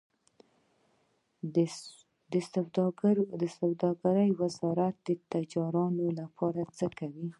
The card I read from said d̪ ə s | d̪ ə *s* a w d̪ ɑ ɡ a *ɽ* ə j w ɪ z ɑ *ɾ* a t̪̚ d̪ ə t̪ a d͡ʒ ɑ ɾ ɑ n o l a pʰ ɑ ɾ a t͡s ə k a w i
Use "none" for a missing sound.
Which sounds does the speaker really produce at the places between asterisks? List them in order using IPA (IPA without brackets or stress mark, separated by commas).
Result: s, ɾ, ɾ